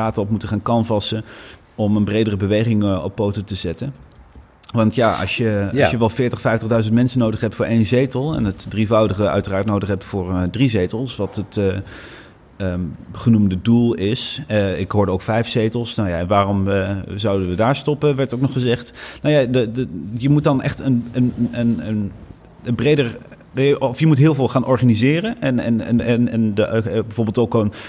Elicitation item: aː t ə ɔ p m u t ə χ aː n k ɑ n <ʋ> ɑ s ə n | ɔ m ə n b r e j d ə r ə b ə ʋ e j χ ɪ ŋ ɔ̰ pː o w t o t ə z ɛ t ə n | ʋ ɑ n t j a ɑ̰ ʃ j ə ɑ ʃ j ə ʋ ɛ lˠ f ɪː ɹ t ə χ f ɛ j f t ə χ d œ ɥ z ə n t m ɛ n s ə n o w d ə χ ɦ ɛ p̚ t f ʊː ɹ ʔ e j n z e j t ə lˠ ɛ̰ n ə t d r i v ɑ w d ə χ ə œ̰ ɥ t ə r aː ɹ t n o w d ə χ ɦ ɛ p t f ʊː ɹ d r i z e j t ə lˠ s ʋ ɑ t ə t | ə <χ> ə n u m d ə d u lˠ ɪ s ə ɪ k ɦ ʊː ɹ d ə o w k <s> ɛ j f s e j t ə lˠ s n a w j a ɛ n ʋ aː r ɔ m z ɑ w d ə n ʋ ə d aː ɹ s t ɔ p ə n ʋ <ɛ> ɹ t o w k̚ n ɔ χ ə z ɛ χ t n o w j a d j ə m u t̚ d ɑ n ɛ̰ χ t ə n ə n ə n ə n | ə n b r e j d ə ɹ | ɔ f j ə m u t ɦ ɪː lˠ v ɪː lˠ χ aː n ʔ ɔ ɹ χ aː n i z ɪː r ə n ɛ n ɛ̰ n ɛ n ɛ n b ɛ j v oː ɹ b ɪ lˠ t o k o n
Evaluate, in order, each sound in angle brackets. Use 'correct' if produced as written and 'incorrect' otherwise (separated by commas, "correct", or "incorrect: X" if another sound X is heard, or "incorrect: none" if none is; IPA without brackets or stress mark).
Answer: incorrect: v, correct, incorrect: f, correct